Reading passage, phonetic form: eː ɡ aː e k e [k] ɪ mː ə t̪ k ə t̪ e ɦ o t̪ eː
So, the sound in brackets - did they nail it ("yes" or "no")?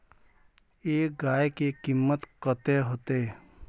yes